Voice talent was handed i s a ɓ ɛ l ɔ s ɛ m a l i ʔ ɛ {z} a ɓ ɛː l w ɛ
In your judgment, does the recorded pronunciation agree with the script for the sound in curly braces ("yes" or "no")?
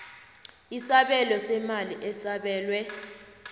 no